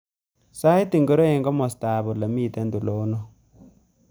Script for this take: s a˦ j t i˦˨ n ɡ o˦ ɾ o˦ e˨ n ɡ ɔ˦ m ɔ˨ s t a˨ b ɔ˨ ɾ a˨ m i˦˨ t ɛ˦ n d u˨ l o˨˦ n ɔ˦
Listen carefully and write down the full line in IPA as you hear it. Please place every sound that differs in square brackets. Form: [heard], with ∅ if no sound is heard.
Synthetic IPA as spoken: s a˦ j t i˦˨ [ŋ] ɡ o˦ ɾ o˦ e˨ [ŋ] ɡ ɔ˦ m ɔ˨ s t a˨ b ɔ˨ [l] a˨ m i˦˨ t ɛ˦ n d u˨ l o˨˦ n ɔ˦